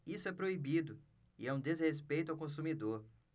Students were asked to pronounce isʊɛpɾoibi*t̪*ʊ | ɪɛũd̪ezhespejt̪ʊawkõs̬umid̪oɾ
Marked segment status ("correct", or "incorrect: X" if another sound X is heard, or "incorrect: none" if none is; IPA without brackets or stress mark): incorrect: d̪